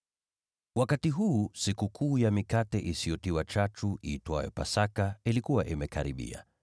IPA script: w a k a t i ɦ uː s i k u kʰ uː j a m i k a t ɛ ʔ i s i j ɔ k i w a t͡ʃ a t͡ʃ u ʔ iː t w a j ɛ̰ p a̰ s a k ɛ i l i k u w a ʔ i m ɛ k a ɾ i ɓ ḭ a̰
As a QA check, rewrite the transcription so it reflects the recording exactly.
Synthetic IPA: w a k a t i ɦ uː s i k u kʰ uː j a m i k a t ɛ ʔ i s i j ɔ t i w a t͡ʃ a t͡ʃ u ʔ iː t w a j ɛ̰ p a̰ s a k a i l i k u w a ʔ i m ɛ k a ɾ i ɓ ḭ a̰